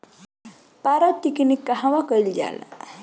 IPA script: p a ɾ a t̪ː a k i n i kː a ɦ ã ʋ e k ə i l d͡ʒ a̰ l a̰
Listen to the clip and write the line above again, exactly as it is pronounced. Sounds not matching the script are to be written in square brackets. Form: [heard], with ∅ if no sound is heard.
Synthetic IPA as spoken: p a ɾ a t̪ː [i] k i n i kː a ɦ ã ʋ [a] k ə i l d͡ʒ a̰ l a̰

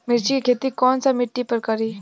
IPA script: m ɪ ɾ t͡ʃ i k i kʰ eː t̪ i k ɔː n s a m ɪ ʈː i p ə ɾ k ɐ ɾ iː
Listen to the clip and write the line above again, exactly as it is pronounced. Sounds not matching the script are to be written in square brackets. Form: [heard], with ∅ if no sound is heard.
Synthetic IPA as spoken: m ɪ ɾ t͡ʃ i k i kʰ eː t̪ i k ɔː n s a m ɪ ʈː i p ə ɾ k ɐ ɾ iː

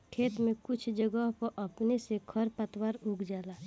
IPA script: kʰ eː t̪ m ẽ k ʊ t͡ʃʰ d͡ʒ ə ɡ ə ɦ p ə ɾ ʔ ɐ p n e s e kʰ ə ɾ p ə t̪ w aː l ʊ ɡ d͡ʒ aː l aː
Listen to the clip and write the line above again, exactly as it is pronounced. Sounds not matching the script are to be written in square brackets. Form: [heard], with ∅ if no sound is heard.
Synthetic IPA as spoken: kʰ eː t̪ m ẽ k ʊ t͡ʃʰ d͡ʒ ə ɡ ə ɦ p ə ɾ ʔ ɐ p n e s e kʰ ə ɾ p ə t̪ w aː [ɾ] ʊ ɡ d͡ʒ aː l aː

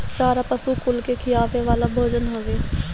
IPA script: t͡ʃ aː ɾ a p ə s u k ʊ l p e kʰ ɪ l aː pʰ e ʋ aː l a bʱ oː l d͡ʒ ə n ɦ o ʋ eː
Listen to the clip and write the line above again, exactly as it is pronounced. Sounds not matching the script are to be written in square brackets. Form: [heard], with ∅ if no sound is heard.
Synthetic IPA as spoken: t͡ʃ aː ɾ a p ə s u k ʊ l [k] e kʰ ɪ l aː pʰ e ʋ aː l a bʱ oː [∅] d͡ʒ ə n ɦ o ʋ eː

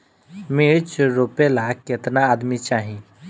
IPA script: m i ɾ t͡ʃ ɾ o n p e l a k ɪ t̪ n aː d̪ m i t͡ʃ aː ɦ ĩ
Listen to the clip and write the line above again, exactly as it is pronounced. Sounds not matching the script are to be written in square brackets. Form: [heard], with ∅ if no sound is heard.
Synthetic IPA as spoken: m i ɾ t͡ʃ ɾ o [∅] p e l a k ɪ t̪ n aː d̪ m i t͡ʃ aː ɦ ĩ

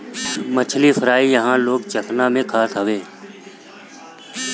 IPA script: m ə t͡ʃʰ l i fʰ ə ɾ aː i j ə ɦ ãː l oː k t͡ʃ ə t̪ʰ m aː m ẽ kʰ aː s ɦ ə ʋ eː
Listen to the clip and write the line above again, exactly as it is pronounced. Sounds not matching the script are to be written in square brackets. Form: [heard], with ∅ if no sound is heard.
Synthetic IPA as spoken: m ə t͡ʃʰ l i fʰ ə ɾ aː i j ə ɦ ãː l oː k t͡ʃ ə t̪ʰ [n] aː m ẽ kʰ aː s ɦ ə ʋ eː

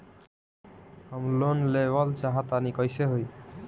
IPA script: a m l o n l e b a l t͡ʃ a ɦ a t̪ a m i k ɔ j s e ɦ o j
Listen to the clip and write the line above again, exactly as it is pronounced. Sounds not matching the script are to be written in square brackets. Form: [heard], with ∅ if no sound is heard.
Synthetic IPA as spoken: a m l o n l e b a l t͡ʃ a ɦ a t̪ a [n] i k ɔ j s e ɦ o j

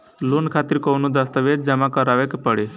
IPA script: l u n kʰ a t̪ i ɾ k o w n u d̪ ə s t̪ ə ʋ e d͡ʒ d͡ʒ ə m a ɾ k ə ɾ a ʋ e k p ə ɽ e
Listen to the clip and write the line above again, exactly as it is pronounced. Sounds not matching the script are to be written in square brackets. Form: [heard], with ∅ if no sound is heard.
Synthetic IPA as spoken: l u n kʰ a t̪ i ɾ k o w n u d̪ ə s t̪ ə ʋ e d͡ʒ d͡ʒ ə m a [∅] k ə ɾ a ʋ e k p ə ɽ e

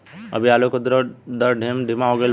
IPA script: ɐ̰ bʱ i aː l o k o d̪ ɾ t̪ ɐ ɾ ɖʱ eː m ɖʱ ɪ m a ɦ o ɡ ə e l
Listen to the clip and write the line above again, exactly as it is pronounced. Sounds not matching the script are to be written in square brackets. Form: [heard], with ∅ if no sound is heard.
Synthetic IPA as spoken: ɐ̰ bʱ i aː l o k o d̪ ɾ [d̪] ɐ ɾ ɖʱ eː m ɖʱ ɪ m a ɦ o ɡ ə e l

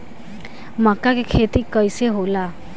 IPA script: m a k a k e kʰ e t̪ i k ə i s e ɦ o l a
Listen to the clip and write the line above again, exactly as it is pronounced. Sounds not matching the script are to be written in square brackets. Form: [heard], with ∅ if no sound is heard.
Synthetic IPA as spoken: m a k a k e kʰ e t̪ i k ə [j] s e ɦ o l a

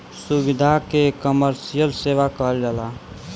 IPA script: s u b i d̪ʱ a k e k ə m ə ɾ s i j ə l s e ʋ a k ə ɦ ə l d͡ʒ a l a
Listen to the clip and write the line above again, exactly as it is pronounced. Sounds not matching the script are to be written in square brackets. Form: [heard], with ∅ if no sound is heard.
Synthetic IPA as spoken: s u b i d̪ʱ a k e k ə m ə ɾ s i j ə l s e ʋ a k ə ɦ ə l d͡ʒ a l a

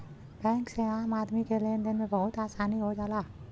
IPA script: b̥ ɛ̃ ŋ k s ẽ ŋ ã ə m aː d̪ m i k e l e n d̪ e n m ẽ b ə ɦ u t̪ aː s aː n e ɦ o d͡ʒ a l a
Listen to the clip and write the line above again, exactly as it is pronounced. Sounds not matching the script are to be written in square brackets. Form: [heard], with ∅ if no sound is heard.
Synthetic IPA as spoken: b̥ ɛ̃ ŋ k s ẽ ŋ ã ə m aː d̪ m i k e l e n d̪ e n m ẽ b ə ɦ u t̪ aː s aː n [i] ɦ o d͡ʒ a l a

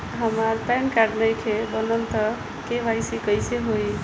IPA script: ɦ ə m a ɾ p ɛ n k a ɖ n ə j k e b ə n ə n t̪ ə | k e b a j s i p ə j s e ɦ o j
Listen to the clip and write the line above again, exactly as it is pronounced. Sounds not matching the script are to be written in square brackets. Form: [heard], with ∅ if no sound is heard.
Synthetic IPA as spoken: ɦ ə m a ɾ p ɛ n k a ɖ n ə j [kʰ] e b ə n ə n t̪ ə | k e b a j s i [k] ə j s e ɦ o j

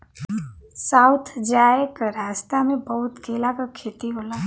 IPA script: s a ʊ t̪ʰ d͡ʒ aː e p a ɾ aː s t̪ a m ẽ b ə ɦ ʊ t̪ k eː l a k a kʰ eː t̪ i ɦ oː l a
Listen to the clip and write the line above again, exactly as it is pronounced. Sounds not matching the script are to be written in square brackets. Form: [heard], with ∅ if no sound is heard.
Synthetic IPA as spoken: s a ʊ t̪ʰ d͡ʒ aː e [k] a ɾ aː s t̪ a m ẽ b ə ɦ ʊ t̪ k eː l a k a kʰ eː t̪ i ɦ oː l a

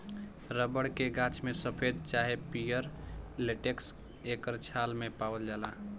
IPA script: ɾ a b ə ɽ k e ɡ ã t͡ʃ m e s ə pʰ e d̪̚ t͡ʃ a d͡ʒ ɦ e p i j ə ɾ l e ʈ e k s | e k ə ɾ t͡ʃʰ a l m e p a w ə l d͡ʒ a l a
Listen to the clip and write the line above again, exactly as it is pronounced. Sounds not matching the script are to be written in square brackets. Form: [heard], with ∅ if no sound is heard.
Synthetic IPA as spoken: ɾ [ə] b ə ɽ k e ɡ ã t͡ʃ m e s ə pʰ e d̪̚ t͡ʃ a [∅] ɦ e p i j ə ɾ l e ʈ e k s | e k ə ɾ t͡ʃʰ a l m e p a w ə l d͡ʒ a l a

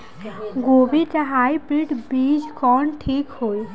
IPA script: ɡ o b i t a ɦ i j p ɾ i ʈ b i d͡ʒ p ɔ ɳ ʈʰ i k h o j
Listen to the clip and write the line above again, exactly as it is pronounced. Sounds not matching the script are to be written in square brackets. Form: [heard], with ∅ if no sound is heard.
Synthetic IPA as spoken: ɡ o b i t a ɦ [a] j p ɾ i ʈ b i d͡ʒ [k] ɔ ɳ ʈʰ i k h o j

